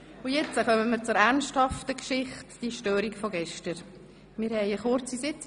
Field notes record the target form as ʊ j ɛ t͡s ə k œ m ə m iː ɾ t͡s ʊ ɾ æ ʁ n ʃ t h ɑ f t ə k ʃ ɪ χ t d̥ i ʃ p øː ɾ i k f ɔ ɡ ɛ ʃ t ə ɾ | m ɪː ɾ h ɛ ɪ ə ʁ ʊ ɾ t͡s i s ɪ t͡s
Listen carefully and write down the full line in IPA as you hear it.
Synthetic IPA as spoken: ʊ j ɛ t͡s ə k œ m ə m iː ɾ t͡s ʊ ɾ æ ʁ n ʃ t h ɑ f t ə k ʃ ɪ χ t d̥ i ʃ t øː ɾ i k f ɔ ɡ ɛ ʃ t ə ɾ | m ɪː ɾ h ɛ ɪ ə χ ʊ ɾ t͡s i s ɪ t͡s